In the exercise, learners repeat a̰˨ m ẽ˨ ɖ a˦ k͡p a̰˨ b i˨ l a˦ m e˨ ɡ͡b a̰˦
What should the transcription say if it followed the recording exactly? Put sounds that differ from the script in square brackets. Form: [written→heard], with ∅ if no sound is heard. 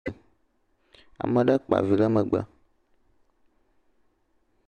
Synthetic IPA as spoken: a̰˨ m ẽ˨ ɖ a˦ k͡p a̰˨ [b→v] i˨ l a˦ m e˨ ɡ͡b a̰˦